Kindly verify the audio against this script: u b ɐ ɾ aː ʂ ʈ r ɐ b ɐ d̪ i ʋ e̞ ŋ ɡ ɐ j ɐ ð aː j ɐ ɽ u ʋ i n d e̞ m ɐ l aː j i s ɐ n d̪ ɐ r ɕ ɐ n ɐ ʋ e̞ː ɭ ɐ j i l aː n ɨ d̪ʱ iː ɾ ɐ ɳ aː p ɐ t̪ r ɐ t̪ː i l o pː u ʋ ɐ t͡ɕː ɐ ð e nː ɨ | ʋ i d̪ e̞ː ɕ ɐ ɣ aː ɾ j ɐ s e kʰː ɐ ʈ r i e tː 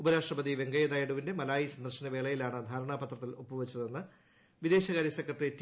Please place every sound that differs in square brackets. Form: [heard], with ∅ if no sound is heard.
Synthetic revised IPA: u b ɐ ɾ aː ʂ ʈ r ɐ b ɐ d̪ i ʋ e̞ ŋ ɡ ɐ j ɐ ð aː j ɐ ɽ u ʋ i n d e̞ m ɐ l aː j i s ɐ n d̪ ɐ r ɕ ɐ n ɐ ʋ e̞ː ɭ ɐ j i l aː [ɳ] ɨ d̪ʱ [aː] ɾ ɐ ɳ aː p ɐ t̪ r ɐ t̪ː i l o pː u ʋ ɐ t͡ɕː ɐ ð e nː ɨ | ʋ i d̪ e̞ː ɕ ɐ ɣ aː ɾ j ɐ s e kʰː ɐ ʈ r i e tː